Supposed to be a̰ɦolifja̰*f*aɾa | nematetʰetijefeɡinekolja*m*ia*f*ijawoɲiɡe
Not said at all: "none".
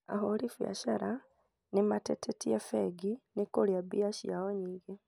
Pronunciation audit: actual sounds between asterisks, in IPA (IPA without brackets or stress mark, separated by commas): ʃ, b, ʃ